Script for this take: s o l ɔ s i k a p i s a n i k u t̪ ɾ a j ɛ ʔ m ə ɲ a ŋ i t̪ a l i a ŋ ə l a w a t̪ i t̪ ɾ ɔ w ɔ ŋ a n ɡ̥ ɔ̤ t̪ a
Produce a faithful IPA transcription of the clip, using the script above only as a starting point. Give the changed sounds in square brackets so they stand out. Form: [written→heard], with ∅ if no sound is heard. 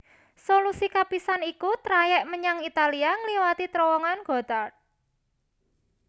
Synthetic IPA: s o l [ɔ→u] s i k a p i s a n i k u t̪ ɾ a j ɛ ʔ m ə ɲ a ŋ i t̪ a l i a ŋ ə l [a→i] w a t̪ i t̪ ɾ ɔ w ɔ ŋ a n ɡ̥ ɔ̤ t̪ a